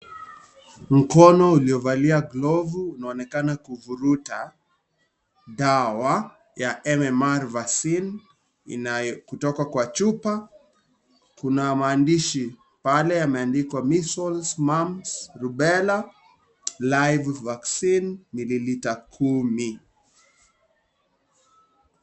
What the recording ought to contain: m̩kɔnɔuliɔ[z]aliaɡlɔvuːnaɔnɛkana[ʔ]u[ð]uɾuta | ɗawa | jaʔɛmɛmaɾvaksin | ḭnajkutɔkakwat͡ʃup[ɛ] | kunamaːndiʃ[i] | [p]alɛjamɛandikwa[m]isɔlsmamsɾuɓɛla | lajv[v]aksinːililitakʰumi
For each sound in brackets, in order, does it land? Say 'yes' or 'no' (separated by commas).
no, no, no, no, yes, yes, yes, yes